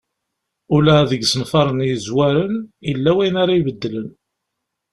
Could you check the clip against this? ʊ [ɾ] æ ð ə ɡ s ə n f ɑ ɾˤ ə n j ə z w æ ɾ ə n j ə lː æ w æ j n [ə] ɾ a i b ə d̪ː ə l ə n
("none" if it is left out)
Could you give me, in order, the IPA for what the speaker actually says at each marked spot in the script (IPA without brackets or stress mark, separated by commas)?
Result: l, a